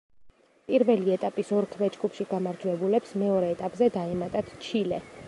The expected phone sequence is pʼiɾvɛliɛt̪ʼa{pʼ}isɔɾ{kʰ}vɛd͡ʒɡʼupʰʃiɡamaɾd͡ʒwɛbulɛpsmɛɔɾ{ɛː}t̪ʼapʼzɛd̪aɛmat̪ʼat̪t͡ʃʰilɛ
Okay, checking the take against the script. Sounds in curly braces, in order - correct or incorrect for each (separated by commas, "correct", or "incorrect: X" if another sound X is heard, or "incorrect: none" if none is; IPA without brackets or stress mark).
correct, correct, correct